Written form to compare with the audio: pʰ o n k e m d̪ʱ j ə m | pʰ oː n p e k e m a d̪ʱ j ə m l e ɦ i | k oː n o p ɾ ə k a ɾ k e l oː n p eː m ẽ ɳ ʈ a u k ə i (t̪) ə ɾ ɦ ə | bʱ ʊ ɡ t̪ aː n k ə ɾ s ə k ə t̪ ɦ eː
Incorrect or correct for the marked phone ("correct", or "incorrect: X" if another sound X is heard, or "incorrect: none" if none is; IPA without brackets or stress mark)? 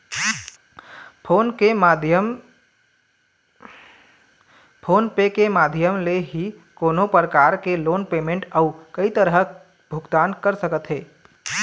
correct